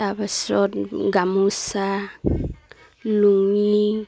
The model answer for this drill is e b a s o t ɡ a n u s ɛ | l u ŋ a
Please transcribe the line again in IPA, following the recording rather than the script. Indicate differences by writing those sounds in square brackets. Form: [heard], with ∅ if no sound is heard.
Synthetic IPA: [a] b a s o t ɡ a [m] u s [a] | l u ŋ [i]